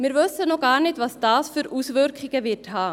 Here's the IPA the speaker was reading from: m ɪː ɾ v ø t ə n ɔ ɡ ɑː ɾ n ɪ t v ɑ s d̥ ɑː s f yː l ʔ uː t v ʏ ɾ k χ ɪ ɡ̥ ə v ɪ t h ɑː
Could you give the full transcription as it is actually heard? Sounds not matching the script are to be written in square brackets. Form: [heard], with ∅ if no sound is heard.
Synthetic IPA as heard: m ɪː ɾ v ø [s] ə n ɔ ɡ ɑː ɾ n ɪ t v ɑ s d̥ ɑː s f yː [ɾ] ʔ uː [s] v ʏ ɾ k χ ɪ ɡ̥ ə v ɪ t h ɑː

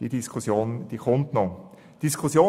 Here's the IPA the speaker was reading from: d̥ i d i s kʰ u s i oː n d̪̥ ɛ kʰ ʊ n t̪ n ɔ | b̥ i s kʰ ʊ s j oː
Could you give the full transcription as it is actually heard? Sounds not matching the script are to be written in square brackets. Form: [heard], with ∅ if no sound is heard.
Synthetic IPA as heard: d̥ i d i s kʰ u s [j] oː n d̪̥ [i] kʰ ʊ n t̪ n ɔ | [d̥] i s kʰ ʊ s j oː

